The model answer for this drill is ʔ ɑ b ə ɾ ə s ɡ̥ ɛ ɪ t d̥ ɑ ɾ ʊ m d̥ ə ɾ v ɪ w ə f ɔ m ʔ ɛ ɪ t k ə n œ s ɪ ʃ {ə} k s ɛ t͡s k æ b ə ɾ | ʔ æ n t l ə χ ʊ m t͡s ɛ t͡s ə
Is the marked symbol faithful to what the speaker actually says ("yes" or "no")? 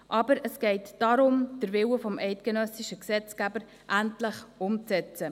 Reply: yes